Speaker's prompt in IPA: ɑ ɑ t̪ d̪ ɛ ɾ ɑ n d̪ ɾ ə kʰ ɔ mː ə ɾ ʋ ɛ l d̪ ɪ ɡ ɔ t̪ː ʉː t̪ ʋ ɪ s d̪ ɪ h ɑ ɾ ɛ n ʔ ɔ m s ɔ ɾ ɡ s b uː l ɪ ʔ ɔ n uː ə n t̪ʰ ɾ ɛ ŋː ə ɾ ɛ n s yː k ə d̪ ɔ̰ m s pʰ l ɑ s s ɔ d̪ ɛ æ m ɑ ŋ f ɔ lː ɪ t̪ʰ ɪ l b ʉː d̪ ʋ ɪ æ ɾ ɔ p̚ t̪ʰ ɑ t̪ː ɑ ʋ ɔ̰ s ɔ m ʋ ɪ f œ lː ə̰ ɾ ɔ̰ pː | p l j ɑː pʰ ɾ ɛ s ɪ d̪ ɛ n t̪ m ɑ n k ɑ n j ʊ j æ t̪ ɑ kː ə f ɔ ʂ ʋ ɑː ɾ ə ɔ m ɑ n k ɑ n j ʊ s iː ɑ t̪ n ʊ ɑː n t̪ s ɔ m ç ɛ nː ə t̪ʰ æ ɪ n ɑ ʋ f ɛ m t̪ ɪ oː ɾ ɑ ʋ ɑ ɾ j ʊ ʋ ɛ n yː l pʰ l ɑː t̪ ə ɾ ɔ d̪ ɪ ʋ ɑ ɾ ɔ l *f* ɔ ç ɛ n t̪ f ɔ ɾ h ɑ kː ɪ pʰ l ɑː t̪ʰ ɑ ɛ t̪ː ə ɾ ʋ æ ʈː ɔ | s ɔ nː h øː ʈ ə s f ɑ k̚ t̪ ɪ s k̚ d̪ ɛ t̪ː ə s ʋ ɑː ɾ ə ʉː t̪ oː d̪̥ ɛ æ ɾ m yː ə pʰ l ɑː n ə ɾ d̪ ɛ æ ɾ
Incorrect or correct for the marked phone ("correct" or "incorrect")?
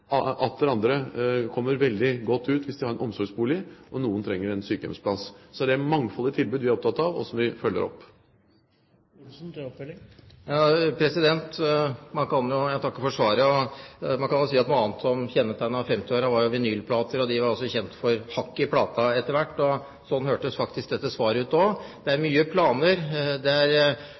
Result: incorrect